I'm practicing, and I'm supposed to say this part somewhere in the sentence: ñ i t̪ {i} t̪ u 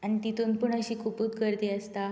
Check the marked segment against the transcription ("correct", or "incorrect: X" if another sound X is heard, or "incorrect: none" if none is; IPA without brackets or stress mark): correct